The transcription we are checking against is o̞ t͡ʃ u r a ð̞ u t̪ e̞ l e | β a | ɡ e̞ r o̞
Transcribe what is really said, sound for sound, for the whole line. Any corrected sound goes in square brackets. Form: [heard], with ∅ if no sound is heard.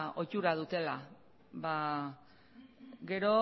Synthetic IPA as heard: o̞ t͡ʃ u [ɾ] a ð̞ u t̪ e̞ l [a] | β a | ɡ e̞ [ɾ] o̞

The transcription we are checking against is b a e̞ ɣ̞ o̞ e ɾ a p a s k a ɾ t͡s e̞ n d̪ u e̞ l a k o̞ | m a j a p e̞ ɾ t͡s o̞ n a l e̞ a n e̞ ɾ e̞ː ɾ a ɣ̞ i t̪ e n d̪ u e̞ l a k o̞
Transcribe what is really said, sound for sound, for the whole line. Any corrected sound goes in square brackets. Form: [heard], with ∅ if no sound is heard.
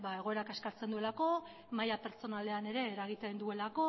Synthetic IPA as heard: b a e̞ ɣ̞ o̞ e ɾ a [k] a s k a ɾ t͡s e̞ n d̪ u e̞ l a k o̞ | m a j a p e̞ ɾ t͡s o̞ n a l e̞ a n e̞ ɾ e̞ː ɾ a ɣ̞ i t̪ e n d̪ u e̞ l a k o̞

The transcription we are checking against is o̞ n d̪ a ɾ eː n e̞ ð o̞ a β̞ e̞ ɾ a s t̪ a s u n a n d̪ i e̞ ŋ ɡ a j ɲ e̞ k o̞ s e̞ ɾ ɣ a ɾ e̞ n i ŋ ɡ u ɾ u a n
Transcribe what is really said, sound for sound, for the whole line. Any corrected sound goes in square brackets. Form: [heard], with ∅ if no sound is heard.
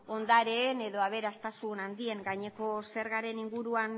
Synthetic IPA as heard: o̞ n d̪ a ɾ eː n e̞ ð o̞ a β̞ e̞ ɾ a s t̪ a s u n a n d̪ i e̞ ŋ ɡ a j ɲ e̞ k o̞ s e̞ ɾ ɣ a ɾ e̞ n i ŋ ɡ u ɾ u a n

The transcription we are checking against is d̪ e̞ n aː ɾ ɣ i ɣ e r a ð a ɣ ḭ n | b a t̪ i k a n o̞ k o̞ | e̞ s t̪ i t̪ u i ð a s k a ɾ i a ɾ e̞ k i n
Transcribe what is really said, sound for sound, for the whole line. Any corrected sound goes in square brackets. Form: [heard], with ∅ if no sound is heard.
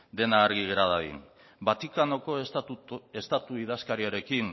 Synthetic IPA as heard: d̪ e̞ n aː ɾ ɣ i ɣ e [ɾ] a ð a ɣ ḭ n | b a t̪ i k a n o̞ k o̞ | e̞ s t̪ [a] t̪ u i ð a s k a ɾ i a ɾ e̞ k i n

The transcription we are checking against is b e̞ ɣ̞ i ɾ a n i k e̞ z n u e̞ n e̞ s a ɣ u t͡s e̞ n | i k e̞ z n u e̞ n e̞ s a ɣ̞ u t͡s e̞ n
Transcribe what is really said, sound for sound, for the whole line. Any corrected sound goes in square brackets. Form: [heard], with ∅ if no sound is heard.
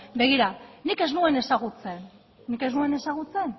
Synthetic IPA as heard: b e̞ ɣ̞ i ɾ a n i k e̞ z n u e̞ n e̞ s a ɣ u t͡s e̞ [nː] | i k e̞ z n u e̞ n e̞ s a ɣ̞ u t͡s e̞ n

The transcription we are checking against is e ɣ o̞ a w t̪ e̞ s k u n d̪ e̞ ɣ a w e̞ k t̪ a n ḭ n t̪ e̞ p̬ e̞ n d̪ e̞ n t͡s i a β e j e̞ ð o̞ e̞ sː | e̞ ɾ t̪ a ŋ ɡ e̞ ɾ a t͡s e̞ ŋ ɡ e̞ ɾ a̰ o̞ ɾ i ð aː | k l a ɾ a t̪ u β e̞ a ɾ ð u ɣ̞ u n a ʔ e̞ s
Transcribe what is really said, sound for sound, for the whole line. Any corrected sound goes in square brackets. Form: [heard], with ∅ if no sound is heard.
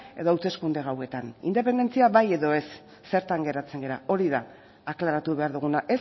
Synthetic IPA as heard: e [ð] o̞ a w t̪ e̞ s k u n d̪ e̞ ɣ a w e̞ [∅] t̪ a n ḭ n [d̪] e̞ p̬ e̞ n d̪ e̞ n t͡s i a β [a] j e̞ ð o̞ e̞ sː | e̞ ɾ t̪ a ŋ ɡ e̞ ɾ a t͡s e̞ ŋ ɡ e̞ ɾ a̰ o̞ ɾ i ð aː | k l a ɾ a t̪ u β e̞ a ɾ ð u ɣ̞ u n a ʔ e̞ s

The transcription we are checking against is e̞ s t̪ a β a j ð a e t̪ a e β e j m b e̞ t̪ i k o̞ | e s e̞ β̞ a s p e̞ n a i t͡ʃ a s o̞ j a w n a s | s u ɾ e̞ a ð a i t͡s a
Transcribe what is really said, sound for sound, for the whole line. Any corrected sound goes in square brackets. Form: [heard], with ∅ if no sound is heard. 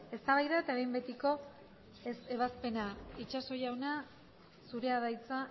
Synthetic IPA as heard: e̞ s t̪ a β a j ð a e t̪ a e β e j m b e̞ t̪ i k o̞ | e s e̞ β̞ a s p e̞ n a i t͡ʃ a s o̞ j a w n a [∅] | s u ɾ e̞ a ð a [j] t͡s a

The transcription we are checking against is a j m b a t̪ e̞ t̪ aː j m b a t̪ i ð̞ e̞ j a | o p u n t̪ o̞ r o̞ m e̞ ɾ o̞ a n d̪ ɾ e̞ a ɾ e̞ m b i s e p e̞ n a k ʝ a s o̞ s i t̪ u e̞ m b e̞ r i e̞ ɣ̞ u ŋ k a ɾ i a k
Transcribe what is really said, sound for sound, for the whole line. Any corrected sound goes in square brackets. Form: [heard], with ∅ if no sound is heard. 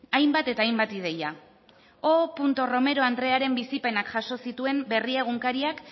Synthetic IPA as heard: a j m b a t̪ e̞ t̪ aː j m b a t̪ i ð̞ e̞ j a | o p u n t̪ o̞ r o̞ m e̞ ɾ o̞ a n d̪ ɾ e̞ a ɾ e̞ m b i s [i] p e̞ n a k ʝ a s o̞ s i t̪ u e̞ m b e̞ r i e̞ ɣ̞ u ŋ k a ɾ i a k

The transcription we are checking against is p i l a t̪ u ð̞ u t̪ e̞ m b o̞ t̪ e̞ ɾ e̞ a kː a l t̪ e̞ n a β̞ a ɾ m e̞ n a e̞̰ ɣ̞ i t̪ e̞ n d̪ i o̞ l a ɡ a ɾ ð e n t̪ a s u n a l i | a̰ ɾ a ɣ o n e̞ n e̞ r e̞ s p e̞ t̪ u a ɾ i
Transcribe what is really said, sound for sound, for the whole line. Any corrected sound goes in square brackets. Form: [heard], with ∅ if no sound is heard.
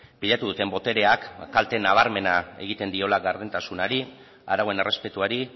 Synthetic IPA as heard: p i [ʎ] a t̪ u ð̞ u t̪ e̞ m b o̞ t̪ e̞ ɾ e̞ a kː a l t̪ e̞ n a β̞ a ɾ m e̞ n a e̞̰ ɣ̞ i t̪ e̞ n d̪ i o̞ l a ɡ a ɾ ð e n t̪ a s u n a [ɾ] i | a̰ ɾ a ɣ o [∅] e̞ n e̞ r e̞ s p e̞ t̪ u a ɾ i

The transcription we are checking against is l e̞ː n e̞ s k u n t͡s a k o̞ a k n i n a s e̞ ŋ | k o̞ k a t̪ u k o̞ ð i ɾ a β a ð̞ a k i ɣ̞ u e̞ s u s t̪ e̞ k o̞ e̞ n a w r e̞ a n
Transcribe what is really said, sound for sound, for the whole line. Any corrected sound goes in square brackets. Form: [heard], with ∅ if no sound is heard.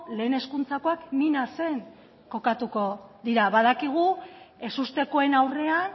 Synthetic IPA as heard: l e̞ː n e̞ s k u n t͡s a k o̞ a k n i n a s e̞ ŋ | k o̞ k a t̪ u k o̞ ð i ɾ a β a ð̞ a k i ɣ̞ u e̞ s u s t̪ e̞ k o̞ e̞ n a w r e̞ a n

